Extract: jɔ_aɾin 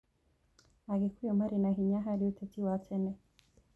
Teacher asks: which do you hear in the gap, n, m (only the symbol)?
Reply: m